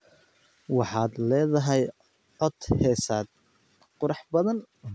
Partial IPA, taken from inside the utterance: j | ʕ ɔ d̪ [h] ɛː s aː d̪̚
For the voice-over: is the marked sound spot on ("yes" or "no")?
yes